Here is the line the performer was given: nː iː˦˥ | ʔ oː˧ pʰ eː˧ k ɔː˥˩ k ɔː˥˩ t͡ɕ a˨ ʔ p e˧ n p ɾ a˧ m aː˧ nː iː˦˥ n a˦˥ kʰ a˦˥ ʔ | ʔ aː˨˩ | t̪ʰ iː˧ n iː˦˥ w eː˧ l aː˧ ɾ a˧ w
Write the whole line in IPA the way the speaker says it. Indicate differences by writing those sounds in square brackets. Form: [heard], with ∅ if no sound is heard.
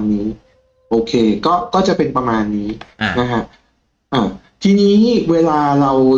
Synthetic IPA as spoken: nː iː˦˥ | ʔ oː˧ [kʰ] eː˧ k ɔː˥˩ k ɔː˥˩ t͡ɕ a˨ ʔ p e˧ n p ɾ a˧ m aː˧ nː iː˦˥ n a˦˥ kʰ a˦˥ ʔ | ʔ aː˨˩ | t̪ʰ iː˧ n iː˦˥ w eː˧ l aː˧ ɾ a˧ w